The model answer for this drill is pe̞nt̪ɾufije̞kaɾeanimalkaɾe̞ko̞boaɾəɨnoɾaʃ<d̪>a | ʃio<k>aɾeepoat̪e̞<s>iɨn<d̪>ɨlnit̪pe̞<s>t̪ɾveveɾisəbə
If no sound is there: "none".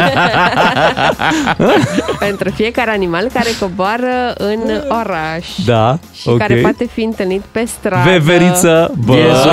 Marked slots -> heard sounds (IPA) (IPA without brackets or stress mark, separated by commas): d̪, k, f, t̪, s